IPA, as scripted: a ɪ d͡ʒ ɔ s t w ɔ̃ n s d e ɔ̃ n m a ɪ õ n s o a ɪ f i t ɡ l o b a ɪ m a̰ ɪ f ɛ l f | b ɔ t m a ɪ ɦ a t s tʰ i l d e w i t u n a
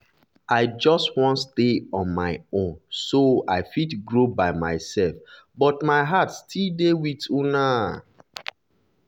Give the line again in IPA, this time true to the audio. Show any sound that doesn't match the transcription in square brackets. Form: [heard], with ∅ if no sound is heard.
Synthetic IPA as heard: a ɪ d͡ʒ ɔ s t w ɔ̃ n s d e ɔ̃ n m a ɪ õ n s o a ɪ f i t ɡ [ɹ] o b a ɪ m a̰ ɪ [s] ɛ l f | b ɔ t m a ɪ ɦ a t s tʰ i l d e w i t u n a